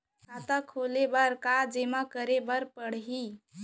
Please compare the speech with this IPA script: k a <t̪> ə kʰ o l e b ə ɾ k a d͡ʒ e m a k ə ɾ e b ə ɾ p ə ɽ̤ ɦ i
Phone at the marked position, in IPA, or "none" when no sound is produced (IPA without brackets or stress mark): t̪